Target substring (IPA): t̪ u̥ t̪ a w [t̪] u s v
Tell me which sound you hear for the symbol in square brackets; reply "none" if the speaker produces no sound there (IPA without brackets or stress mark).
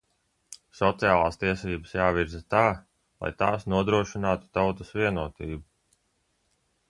t̪